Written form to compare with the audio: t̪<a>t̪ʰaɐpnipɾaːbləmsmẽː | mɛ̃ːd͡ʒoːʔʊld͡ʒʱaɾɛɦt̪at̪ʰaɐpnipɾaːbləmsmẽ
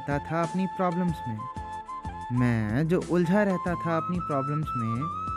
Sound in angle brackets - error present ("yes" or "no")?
no